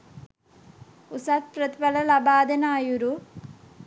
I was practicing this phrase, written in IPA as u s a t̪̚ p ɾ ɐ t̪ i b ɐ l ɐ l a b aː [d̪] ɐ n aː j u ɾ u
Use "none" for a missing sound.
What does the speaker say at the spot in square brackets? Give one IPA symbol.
d̪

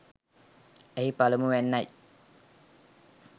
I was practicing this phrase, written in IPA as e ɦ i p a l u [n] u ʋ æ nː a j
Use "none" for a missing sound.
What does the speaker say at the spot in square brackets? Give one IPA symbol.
m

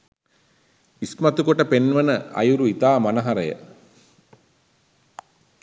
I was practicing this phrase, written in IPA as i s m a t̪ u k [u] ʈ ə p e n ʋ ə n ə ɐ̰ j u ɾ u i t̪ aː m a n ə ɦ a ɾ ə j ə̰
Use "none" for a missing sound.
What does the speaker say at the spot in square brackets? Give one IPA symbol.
o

